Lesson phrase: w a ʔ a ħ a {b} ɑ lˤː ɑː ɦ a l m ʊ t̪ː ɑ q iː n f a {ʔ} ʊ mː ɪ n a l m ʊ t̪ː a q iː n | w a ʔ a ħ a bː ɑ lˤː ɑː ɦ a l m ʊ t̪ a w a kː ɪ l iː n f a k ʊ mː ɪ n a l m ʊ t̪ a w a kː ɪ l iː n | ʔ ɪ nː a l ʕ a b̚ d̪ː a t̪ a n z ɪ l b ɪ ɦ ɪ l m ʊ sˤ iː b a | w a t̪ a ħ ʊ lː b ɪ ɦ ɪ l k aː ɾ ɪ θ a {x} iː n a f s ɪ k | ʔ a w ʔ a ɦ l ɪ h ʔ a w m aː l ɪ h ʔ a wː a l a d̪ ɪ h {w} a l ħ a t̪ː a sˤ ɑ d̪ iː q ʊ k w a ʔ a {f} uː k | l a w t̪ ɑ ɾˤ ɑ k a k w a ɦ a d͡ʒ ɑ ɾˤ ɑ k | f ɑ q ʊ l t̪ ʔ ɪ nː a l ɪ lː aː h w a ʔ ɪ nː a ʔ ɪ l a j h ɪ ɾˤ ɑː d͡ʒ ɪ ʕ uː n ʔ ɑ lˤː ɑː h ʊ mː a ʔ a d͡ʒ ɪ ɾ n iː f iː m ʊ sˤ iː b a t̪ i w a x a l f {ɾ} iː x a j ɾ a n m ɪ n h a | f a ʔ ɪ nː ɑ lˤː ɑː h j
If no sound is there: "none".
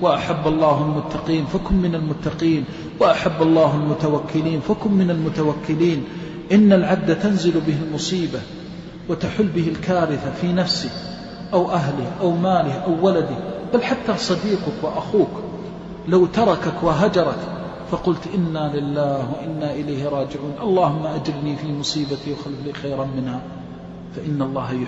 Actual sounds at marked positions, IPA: bː, k, f, b, x, l

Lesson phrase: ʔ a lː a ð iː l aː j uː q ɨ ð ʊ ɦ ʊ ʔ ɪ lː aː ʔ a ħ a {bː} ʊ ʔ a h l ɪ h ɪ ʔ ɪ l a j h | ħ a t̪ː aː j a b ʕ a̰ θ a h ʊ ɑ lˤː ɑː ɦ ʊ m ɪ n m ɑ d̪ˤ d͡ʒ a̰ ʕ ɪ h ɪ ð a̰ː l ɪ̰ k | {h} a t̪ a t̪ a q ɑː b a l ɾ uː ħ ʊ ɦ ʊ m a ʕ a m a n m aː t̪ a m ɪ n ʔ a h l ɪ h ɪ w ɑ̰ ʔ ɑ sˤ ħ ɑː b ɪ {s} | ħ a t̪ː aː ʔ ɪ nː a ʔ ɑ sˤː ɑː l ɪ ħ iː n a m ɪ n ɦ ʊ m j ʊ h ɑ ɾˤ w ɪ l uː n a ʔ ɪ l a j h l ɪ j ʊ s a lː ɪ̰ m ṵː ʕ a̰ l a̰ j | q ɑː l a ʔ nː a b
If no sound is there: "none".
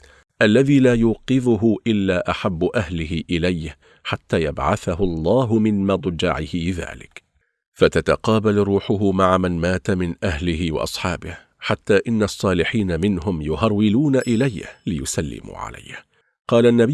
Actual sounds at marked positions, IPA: bː, f, h

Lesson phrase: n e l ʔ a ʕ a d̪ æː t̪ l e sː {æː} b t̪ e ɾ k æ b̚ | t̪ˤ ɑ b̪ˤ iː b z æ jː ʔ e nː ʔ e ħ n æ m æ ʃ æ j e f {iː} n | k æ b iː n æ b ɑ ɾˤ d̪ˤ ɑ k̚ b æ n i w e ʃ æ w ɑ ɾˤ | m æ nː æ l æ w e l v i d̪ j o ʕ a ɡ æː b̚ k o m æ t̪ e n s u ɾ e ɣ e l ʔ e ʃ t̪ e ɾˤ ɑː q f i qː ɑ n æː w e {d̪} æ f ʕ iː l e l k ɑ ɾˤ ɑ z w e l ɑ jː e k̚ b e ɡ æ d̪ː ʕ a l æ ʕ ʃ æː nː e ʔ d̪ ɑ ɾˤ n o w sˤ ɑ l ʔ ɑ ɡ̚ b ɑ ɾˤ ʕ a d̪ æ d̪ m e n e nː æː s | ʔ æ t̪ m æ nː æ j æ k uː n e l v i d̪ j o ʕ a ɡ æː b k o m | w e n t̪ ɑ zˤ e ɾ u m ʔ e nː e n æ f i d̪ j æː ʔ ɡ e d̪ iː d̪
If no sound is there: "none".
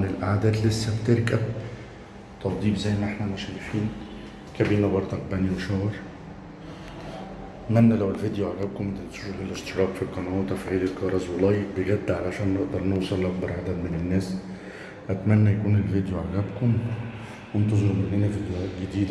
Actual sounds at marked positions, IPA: æ, iː, t̪

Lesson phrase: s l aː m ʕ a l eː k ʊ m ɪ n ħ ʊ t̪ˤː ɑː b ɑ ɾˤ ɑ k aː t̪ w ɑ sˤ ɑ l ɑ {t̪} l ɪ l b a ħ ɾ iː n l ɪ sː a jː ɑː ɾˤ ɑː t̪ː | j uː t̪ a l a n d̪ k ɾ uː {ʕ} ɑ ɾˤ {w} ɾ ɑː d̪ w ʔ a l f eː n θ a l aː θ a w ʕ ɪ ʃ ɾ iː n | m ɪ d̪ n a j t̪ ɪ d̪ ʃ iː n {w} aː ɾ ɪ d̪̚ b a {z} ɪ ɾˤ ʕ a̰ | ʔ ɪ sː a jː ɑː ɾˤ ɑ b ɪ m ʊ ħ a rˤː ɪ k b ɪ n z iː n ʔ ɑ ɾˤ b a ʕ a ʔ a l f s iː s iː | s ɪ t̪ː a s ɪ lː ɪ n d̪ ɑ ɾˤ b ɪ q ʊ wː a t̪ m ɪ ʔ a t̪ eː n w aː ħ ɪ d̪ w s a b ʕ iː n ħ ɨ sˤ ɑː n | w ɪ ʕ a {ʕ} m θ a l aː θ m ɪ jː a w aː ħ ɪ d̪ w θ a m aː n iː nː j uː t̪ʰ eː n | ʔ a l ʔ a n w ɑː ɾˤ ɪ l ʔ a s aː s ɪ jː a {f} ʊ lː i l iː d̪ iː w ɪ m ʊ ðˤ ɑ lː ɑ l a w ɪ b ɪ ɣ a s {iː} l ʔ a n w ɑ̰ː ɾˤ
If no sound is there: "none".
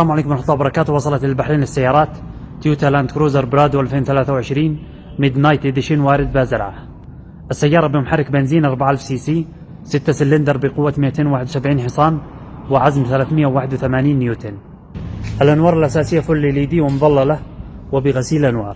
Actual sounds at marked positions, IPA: t̪, z, b, w, z, z, f, iː

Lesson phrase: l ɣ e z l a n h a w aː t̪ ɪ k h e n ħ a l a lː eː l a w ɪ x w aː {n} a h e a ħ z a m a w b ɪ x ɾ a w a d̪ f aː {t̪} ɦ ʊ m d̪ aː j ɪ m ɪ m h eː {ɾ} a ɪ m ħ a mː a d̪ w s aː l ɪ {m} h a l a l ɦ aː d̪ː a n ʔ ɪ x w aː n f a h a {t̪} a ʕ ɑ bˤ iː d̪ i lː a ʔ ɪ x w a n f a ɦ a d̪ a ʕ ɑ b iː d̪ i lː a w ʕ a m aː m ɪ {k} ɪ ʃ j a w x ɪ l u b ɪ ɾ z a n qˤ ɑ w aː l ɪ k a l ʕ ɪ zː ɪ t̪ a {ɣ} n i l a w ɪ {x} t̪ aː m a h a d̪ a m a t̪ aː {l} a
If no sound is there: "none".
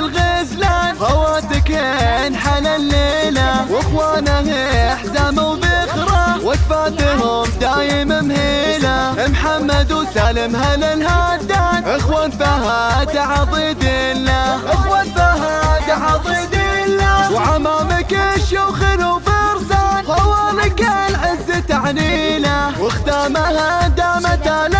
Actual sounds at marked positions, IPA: n, t̪, l, m, d̪, k, ʕ, x, l

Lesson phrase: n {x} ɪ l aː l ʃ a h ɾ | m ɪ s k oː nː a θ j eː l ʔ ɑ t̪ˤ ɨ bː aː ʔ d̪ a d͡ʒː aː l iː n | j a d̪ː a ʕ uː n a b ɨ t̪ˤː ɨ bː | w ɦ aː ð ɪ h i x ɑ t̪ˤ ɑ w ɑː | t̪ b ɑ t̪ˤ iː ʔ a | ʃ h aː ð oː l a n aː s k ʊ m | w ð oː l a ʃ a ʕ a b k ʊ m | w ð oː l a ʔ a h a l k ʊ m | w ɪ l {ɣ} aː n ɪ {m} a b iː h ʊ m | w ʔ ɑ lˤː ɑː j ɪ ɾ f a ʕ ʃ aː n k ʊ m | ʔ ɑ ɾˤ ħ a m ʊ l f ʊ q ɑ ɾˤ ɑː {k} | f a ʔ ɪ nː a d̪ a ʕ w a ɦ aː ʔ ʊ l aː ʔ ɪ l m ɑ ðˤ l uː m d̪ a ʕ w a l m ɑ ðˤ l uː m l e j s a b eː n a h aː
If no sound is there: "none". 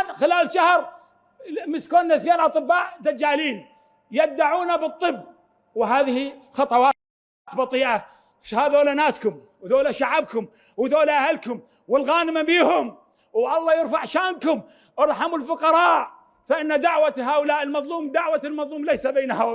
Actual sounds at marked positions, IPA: x, ɣ, m, ʔ

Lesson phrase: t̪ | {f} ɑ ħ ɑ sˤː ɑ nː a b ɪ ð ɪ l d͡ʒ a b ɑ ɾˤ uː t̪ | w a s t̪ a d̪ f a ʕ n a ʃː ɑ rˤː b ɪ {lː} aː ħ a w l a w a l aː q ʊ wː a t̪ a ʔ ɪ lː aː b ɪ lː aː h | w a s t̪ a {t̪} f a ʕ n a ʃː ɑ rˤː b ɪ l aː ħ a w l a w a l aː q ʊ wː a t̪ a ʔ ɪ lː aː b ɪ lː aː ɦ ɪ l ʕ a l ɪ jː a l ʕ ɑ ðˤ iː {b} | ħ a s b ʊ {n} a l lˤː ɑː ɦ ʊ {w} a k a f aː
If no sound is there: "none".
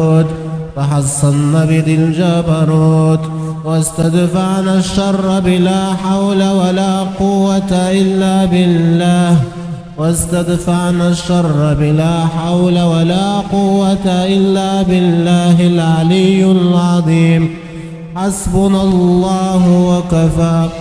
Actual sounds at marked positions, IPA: f, l, d̪, m, n, w

